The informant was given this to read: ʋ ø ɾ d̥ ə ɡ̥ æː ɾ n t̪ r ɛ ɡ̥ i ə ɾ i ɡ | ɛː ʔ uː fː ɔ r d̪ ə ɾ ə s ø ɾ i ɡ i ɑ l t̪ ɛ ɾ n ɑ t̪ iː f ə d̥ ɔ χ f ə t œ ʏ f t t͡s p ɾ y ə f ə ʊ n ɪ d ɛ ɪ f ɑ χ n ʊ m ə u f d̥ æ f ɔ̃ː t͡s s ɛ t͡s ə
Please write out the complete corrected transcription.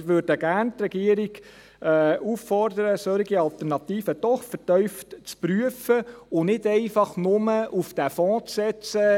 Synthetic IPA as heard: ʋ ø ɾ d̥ ə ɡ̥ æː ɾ n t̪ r ɛ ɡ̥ i ə ɾ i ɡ | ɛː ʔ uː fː ɔ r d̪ ə ɾ ə s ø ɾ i ɡ i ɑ l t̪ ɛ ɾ n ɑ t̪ iː f ə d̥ ɔ χ f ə t œ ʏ f t t͡s p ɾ y ə f ə ʊ n ɪ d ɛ ɪ f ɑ χ n ʊ m ə u f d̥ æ f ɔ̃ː t͡s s ɛ t͡s ə